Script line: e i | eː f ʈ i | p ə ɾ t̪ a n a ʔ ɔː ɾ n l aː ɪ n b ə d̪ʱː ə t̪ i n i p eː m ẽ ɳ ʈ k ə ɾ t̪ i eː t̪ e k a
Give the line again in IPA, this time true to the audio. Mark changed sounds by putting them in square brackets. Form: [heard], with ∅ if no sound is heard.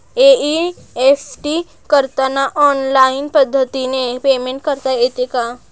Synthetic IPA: e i | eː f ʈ i | [k] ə ɾ t̪ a n a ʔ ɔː [∅] n l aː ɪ n [p] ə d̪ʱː ə t̪ i n [e] p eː m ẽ ɳ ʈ k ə ɾ t̪ [a] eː t̪ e k a